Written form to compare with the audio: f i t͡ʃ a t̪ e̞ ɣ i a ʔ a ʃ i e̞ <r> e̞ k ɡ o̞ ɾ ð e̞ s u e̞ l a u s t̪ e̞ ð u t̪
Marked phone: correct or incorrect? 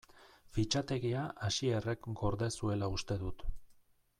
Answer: correct